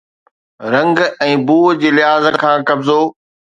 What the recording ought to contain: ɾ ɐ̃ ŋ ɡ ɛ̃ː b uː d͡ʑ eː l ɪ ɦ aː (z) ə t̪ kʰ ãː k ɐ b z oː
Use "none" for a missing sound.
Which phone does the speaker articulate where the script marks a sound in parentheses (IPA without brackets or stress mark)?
z